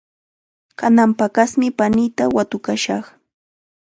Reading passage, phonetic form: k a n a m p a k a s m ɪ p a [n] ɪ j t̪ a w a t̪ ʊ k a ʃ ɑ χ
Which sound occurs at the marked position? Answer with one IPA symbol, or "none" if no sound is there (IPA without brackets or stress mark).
n